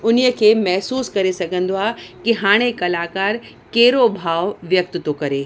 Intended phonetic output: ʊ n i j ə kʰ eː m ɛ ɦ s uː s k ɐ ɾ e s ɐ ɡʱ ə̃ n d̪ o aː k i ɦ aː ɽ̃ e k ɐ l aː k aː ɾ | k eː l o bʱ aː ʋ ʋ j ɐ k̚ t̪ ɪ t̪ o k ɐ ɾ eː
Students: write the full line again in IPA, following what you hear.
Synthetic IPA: ʊ n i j ə kʰ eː m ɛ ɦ s uː s k ɐ ɾ e s ɐ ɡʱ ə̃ n d̪ o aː k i ɦ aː ɽ̃ e k ɐ l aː k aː ɾ | k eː ɾ o bʱ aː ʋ ʋ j ɐ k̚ t̪ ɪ t̪ o k ɐ ɾ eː